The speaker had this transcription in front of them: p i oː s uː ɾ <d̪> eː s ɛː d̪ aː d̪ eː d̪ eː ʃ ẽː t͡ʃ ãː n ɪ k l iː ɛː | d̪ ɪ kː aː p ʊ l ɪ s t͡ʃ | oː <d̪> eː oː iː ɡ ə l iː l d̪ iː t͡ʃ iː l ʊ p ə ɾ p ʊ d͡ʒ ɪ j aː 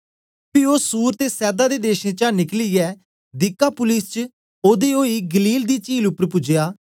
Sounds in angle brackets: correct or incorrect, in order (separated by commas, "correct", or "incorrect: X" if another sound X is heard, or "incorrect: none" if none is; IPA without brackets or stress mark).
incorrect: t̪, correct